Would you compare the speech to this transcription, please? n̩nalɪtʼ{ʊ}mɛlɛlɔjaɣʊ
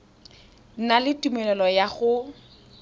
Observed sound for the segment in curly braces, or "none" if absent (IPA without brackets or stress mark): u